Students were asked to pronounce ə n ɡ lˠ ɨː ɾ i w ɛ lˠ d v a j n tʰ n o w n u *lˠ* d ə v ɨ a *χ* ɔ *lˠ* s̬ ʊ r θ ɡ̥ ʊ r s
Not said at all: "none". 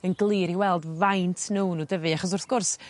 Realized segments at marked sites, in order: none, χ, none

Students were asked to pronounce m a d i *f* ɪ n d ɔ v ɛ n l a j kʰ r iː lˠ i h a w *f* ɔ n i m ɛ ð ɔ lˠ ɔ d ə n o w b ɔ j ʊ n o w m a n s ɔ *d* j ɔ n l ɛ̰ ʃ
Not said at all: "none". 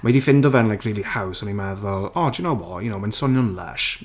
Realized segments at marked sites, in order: f, s, n

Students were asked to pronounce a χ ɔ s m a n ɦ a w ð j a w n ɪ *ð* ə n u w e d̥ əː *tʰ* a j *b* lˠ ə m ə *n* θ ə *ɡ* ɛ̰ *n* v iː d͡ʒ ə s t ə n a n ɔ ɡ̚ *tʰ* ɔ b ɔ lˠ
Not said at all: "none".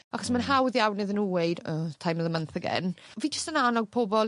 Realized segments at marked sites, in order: ð, tʰ, m, n, ɡ, n, pʰ

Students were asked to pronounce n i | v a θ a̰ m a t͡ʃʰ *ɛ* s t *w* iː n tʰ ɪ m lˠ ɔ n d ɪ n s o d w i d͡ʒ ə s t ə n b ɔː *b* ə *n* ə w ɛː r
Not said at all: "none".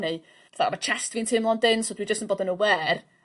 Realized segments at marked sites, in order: ɛ, v, d, n

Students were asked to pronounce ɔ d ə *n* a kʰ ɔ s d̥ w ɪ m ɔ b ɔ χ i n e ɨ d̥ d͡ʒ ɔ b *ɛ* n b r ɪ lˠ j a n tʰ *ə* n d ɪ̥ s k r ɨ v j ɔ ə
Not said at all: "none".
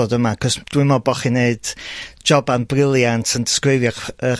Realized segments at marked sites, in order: m, a, ə

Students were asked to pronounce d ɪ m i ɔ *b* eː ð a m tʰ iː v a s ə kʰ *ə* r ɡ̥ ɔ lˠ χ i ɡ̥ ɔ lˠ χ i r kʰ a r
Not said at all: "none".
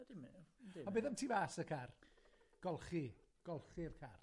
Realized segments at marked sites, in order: b, a

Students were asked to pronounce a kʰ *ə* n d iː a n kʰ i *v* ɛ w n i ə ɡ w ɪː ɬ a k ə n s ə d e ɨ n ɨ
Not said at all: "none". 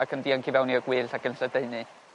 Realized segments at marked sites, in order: ə, v

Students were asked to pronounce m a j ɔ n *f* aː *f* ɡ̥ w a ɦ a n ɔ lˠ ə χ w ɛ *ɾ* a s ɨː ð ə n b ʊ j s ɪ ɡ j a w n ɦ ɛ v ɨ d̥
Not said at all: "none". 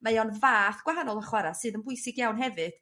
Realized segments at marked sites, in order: v, θ, ɾ

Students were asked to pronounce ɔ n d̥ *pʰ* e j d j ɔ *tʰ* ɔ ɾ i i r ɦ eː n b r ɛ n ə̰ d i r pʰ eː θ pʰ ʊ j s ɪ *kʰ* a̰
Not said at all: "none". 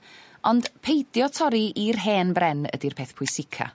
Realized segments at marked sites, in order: pʰ, tʰ, kʰ

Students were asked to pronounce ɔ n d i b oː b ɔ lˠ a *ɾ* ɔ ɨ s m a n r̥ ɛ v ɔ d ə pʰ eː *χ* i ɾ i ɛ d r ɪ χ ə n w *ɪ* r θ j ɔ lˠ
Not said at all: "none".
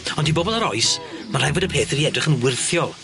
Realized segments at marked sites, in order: ɾ, θ, ɪ

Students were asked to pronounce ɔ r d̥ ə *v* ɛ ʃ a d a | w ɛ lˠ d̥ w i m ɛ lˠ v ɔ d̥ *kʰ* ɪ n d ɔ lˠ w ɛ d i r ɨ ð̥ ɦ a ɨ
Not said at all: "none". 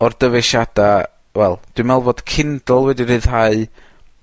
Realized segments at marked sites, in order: v, kʰ

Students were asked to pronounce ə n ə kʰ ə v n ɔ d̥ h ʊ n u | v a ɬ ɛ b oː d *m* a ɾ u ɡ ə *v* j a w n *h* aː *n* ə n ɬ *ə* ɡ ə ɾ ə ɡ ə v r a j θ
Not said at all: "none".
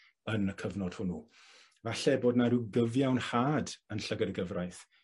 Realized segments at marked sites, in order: n, v, h, d, ə

